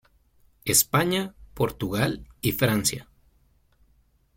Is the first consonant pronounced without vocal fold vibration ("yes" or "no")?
yes